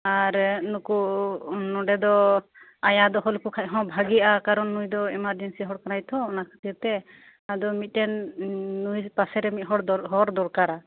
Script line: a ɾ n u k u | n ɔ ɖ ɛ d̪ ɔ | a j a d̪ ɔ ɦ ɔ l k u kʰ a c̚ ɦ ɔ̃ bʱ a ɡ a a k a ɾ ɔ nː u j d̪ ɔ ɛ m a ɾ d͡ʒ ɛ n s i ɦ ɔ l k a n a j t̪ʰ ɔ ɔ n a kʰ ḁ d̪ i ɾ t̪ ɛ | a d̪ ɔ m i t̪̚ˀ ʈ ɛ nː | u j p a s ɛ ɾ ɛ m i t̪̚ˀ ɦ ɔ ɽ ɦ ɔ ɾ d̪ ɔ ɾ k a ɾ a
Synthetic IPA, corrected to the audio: a ɾ n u k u | n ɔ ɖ ɛ d̪ ɔ | a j a d̪ ɔ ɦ ɔ l k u kʰ a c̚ ɦ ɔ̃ bʱ a ɡ i a k a ɾ ɔ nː u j d̪ ɔ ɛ m a ɾ d͡ʒ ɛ n s i ɦ ɔ ɽ k a n a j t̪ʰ ɔ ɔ n a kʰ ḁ t̪ i ɾ t̪ ɛ | a d̪ ɔ m i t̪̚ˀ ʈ ɛ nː | u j p a s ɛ ɾ ɛ m i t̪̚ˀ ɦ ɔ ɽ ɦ ɔ ɾ d̪ ɔ ɾ k a ɾ a